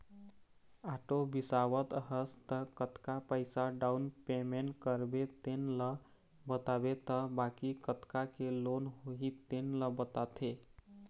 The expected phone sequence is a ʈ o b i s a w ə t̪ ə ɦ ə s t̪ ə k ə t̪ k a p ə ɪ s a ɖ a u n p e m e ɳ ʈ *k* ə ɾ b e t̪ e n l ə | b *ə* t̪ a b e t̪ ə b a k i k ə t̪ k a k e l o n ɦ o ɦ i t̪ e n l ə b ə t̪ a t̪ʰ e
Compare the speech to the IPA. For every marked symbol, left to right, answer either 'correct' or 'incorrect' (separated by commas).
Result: correct, correct